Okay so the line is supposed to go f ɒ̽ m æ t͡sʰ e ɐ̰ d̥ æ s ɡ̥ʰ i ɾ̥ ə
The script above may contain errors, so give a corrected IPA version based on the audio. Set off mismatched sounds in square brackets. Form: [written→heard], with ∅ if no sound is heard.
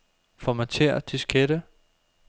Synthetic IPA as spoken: f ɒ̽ m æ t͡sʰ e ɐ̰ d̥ [æ→i] s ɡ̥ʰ [i→e] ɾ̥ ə